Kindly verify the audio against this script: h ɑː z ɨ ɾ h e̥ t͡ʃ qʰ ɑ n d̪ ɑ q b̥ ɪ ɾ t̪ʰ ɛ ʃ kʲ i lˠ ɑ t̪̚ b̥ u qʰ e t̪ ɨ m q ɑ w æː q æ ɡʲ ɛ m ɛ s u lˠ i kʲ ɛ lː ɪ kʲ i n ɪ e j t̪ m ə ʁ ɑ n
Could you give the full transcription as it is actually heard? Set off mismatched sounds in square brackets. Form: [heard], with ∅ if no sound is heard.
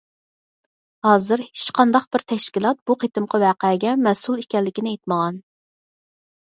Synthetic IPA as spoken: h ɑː z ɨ ɾ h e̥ t͡ʃ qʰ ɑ n d̪ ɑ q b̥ ɪ ɾ t̪ʰ ɛ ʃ kʲ i lˠ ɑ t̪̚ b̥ u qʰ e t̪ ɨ m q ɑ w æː q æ ɡʲ ɛ m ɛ s u lˠ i kʲ ɛ lː ɪ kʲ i n ɪ e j t̪ m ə ʁ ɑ n